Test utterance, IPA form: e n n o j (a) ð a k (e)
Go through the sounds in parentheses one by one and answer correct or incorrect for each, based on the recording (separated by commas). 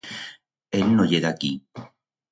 incorrect, incorrect